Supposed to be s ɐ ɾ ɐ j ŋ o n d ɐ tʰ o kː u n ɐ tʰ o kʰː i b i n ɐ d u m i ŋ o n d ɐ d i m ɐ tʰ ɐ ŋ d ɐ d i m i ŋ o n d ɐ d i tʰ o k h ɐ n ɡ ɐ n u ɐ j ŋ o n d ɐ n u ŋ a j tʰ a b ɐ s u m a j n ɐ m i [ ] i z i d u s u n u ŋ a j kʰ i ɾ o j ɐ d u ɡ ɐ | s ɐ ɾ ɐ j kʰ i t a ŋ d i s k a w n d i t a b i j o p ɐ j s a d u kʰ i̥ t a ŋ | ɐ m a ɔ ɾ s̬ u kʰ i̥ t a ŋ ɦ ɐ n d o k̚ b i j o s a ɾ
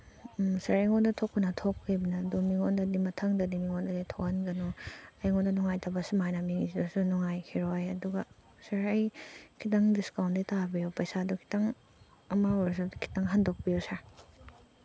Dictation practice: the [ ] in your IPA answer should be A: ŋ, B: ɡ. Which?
A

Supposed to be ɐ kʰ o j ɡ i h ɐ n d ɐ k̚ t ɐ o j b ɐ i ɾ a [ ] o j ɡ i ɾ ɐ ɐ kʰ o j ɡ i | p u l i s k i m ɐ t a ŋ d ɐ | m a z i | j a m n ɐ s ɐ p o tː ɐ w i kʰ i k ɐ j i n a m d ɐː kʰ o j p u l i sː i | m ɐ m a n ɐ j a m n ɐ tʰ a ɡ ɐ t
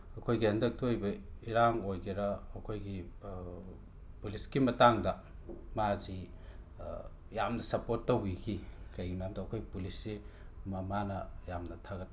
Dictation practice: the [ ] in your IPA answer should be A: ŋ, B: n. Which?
A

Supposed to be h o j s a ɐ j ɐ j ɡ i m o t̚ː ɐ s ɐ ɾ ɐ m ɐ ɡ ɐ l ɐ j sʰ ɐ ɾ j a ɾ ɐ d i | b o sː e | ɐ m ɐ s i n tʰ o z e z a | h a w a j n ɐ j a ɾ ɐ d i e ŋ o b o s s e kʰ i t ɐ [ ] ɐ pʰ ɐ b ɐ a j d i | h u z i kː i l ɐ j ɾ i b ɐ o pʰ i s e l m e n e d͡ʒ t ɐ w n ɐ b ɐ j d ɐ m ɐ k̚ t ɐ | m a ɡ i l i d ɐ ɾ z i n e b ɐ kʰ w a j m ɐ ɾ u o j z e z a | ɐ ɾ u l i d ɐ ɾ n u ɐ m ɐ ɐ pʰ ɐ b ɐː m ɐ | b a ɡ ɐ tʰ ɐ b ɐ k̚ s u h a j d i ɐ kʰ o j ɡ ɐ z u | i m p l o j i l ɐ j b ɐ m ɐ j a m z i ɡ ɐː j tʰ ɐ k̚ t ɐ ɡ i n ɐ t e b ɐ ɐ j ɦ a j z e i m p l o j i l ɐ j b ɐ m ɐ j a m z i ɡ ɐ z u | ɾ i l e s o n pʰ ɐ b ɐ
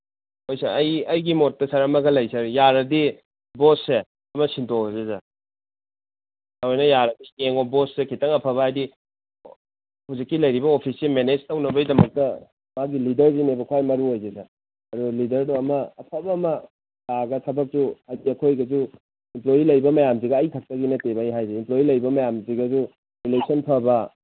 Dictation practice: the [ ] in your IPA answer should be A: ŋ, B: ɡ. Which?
A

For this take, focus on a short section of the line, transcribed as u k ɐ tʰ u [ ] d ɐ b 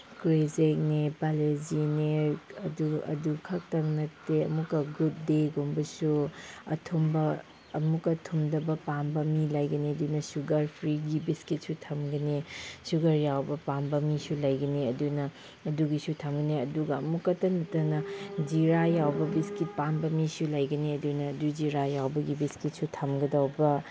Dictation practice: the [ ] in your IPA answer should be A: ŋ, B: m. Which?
B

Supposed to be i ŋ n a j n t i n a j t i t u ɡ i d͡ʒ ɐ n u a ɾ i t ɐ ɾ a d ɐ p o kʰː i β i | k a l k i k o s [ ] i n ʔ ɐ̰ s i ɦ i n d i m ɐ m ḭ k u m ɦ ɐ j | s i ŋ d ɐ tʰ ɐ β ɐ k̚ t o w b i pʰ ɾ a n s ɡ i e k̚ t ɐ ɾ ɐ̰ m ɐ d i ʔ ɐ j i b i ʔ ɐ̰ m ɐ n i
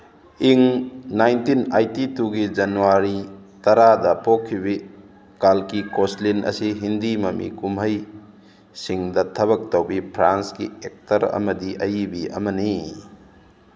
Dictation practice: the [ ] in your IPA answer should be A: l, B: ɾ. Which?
A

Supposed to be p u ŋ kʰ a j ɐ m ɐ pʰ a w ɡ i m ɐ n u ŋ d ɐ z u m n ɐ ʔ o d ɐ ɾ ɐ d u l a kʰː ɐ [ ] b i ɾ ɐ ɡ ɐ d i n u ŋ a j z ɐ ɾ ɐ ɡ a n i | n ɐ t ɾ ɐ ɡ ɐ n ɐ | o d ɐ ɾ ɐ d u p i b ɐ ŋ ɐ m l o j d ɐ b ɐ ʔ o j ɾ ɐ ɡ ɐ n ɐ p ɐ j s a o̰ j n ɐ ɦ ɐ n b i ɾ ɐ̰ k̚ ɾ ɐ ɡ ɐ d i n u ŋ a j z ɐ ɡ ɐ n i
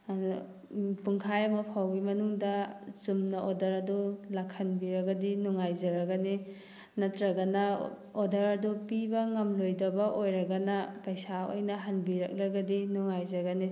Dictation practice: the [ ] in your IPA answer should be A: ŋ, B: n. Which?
B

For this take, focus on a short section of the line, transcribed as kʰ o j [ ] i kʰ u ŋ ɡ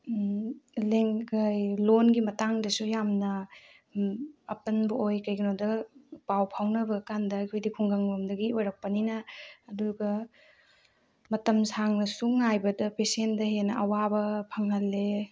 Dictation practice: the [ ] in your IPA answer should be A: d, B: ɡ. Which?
A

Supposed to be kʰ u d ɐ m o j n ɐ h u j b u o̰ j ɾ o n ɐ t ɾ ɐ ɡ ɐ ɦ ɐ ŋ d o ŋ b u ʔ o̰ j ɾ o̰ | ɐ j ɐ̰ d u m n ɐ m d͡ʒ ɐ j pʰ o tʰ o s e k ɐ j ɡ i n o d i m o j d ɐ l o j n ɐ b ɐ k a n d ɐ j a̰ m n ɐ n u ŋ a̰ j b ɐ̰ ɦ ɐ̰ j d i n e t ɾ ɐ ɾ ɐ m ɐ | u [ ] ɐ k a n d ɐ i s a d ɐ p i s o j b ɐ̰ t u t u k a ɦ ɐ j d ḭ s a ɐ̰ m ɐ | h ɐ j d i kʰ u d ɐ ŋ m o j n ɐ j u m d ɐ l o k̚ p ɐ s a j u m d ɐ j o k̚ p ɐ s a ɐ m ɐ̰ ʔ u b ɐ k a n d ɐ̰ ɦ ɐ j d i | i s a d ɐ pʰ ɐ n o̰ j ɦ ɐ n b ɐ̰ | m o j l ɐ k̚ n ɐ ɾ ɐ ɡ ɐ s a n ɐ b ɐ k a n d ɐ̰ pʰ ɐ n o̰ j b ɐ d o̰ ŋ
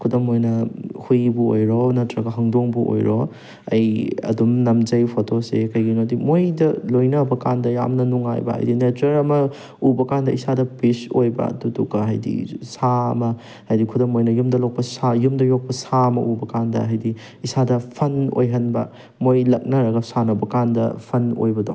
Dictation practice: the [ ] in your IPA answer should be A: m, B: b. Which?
B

